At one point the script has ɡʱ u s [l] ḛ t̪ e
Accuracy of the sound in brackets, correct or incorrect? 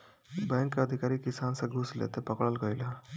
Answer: correct